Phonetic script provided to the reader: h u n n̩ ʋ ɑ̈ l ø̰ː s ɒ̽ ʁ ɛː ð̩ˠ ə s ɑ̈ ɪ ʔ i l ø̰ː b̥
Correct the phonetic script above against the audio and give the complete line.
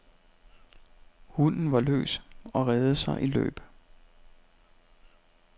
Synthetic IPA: h u n n̩ ʋ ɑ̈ l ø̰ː s ɒ̽ ʁ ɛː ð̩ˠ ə s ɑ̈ ɪ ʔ i l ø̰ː b̥